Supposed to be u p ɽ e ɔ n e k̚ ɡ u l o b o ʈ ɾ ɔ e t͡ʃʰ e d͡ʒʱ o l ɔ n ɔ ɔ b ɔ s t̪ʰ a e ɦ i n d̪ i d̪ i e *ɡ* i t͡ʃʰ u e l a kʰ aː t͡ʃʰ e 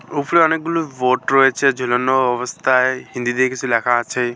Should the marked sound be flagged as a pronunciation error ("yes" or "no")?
yes